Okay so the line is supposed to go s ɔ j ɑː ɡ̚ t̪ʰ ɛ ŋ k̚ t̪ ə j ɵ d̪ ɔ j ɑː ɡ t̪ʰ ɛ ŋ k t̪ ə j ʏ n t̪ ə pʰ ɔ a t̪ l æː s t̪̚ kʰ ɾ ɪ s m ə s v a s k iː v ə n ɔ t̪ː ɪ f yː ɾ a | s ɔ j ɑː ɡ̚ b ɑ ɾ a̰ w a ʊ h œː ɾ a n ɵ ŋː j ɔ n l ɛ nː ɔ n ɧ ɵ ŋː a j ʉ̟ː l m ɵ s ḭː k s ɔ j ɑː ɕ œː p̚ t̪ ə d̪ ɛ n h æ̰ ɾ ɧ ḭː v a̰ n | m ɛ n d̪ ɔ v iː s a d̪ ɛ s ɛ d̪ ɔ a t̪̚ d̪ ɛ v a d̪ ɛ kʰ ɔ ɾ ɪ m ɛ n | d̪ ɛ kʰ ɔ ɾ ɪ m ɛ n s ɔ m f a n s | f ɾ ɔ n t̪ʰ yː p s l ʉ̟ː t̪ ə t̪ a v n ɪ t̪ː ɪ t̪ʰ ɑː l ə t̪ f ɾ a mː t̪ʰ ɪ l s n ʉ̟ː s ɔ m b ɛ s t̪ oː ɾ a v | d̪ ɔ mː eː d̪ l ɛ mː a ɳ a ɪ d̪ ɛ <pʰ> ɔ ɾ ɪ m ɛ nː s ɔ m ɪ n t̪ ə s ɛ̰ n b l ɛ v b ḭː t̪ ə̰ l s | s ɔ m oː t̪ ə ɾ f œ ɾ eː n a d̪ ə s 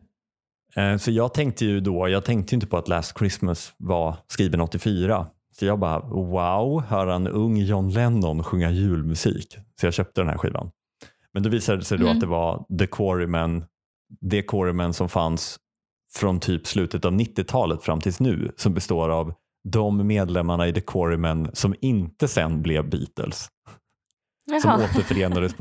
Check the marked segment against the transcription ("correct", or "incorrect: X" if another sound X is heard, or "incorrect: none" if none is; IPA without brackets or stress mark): incorrect: kʰ